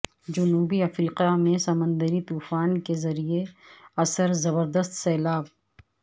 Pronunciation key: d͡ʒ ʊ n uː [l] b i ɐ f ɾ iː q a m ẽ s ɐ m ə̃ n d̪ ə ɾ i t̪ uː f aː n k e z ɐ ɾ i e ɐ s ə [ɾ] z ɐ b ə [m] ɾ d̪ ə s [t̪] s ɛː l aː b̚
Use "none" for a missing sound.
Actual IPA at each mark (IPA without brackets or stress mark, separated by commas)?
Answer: none, ɾ, none, t̪